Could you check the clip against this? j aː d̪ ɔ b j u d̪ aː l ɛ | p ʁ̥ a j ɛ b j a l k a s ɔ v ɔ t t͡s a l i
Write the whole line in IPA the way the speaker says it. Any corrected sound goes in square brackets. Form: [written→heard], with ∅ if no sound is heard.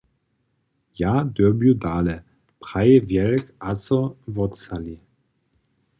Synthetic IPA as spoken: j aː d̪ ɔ b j u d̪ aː l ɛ | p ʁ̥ a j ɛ [b→v] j [a→ɛ] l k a s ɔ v ɔ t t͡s a l i